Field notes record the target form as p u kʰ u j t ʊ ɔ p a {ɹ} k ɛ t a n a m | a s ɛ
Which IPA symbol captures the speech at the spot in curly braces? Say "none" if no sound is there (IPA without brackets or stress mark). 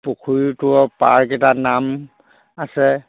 ɹ